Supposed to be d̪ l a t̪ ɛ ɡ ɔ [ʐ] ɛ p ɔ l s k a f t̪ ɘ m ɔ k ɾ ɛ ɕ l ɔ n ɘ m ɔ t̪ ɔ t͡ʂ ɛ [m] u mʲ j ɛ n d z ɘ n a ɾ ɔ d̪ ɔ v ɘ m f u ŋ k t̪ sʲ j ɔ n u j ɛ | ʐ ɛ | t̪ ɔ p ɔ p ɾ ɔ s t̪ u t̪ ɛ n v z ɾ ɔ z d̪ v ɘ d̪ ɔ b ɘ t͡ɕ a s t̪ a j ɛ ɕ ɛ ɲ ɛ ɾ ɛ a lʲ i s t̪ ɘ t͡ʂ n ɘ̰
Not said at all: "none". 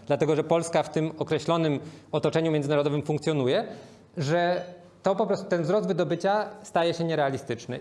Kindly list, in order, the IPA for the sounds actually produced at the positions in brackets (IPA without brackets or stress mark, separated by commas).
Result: ʐ, ɲ